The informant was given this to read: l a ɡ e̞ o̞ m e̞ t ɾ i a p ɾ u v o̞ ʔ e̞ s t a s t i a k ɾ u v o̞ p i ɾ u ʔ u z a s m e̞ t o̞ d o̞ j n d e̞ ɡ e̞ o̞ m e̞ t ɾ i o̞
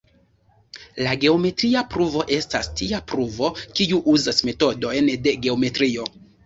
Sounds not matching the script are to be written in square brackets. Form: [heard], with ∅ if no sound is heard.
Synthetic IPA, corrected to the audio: l a ɡ e̞ o̞ m e̞ t ɾ i a p ɾ u v o̞ ʔ e̞ s t a s t i a [p] ɾ u v o̞ [k] i [∅] u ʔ u z a s m e̞ t o̞ d o̞ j n d e̞ ɡ e̞ o̞ m e̞ t ɾ i o̞